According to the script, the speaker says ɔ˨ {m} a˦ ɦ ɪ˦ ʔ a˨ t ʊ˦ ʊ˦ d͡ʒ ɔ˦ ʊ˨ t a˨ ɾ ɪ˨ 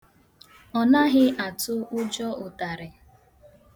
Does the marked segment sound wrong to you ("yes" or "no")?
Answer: yes